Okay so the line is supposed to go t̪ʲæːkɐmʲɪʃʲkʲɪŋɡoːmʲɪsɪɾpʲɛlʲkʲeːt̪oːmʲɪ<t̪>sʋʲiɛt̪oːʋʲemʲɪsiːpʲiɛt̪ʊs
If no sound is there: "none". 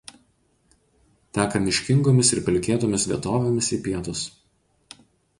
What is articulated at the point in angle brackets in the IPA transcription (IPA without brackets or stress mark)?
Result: none